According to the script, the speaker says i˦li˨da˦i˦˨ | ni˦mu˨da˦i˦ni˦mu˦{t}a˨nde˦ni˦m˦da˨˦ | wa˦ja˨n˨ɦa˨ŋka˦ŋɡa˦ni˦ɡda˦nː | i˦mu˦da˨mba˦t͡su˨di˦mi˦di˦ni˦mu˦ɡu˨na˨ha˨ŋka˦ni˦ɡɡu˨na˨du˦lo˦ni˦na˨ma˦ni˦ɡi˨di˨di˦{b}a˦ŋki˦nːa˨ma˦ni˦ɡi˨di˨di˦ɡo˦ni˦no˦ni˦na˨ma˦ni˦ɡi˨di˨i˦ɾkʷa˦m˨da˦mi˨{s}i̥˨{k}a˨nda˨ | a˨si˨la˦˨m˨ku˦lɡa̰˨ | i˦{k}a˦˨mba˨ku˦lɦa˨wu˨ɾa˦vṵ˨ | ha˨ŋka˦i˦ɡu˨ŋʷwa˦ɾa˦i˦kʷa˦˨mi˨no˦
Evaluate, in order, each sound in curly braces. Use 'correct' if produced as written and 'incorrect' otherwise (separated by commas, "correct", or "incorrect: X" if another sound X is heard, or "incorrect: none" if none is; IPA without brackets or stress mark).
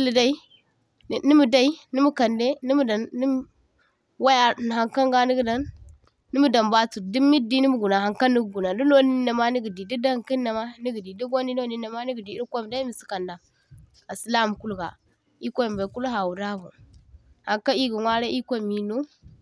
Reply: incorrect: k, incorrect: d, correct, correct, correct